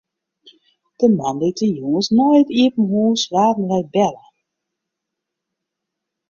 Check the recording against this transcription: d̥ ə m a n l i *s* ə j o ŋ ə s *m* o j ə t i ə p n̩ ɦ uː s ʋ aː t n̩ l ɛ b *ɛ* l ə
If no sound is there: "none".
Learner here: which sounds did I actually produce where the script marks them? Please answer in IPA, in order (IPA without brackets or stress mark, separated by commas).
t, n, ɛ